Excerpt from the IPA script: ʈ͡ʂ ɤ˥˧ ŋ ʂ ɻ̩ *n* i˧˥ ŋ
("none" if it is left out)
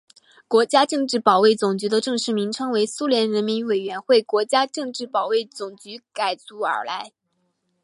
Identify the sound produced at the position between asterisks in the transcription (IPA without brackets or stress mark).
m